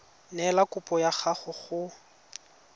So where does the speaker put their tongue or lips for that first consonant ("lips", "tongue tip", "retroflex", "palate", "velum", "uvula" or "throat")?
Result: tongue tip